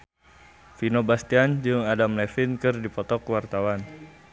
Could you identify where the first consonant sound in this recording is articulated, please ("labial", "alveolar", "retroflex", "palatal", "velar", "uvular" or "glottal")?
labial